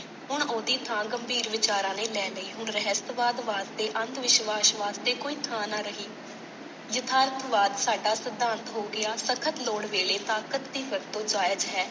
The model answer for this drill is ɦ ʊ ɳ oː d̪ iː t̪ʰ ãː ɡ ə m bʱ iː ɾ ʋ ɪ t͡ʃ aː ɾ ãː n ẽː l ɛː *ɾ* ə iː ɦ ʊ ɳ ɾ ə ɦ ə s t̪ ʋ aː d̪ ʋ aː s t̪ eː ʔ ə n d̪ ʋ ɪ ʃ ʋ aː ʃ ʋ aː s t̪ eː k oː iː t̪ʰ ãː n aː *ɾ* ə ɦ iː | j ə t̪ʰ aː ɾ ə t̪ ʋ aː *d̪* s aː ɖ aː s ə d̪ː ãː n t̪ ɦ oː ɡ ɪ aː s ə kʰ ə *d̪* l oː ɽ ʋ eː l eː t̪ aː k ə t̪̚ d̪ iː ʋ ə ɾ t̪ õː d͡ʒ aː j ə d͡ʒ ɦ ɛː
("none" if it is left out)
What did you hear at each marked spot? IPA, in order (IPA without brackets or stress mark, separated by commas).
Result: l, ɾ, d̪, t̪